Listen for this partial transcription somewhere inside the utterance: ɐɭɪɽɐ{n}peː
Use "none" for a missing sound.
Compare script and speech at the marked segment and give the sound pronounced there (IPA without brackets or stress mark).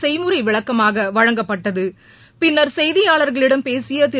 m